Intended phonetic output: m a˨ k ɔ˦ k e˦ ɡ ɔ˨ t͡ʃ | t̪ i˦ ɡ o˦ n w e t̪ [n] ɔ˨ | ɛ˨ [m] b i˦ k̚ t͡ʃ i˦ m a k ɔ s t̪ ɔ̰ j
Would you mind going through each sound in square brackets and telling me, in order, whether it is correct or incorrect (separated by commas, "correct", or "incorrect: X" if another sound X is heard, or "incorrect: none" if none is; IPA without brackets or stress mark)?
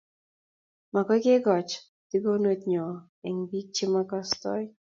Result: incorrect: ɲ, incorrect: ŋ